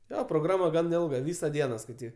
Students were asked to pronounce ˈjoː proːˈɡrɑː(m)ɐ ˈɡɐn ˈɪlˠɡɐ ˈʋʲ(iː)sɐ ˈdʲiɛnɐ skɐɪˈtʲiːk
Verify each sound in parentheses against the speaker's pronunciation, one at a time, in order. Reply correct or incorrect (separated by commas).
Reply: correct, correct